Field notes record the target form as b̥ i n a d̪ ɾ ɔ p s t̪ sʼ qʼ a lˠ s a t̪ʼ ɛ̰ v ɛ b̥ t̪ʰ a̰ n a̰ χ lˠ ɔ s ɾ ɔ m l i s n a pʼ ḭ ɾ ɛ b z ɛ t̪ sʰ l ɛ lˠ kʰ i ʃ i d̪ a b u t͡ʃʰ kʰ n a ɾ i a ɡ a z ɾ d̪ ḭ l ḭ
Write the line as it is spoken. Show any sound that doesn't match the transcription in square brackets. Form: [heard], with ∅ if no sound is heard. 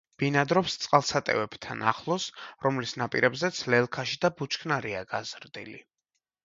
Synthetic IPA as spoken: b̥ i n a d̪ ɾ ɔ p s t̪ sʼ qʼ a lˠ s a t̪ʼ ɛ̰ v ɛ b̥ t̪ʰ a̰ n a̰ χ lˠ ɔ s ɾ ɔ m l i s n a pʼ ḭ ɾ ɛ b z ɛ t̪ sʰ l ɛ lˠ kʰ [a] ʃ i d̪ a b u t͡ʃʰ kʰ n a ɾ i a ɡ a z ɾ d̪ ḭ l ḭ